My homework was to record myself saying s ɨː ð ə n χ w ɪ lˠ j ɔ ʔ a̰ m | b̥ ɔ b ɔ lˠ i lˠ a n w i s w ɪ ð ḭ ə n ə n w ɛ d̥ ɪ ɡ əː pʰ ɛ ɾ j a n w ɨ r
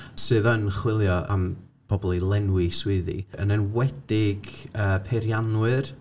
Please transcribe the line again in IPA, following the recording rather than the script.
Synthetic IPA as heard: s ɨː ð ə n χ w ɪ lˠ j ɔ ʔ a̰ m | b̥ ɔ b ɔ lˠ i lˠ ɛ n w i s w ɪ ð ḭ ə n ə n w ɛ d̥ ɪ ɡ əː pʰ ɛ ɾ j a n w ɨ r